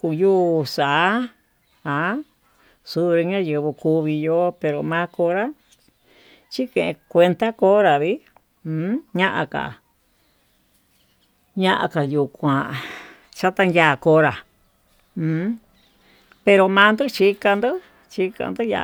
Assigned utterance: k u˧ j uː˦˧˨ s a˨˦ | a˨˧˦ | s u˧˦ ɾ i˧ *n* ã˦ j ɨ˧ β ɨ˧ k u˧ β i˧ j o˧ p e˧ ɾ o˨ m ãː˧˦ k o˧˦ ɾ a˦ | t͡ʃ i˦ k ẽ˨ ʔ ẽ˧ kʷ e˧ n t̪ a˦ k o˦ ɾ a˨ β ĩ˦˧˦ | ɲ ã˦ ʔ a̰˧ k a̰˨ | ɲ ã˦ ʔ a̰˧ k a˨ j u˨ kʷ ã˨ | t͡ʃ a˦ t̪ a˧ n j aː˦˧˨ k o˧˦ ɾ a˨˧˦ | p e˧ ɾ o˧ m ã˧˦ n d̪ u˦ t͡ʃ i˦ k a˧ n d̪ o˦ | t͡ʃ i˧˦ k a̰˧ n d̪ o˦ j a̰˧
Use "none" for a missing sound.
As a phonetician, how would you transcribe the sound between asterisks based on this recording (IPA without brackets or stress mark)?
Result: ɲ